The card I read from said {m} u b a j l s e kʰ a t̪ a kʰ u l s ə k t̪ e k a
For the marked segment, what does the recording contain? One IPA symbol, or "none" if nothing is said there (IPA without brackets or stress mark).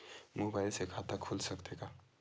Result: m